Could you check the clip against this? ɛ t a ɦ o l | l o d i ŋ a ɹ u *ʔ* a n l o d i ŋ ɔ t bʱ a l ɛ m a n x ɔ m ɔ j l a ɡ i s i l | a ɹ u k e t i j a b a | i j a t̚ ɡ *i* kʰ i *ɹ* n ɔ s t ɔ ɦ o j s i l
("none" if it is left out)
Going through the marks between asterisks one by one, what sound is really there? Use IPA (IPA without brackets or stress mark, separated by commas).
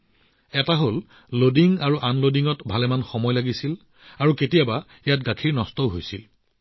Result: ʔ, a, ɹ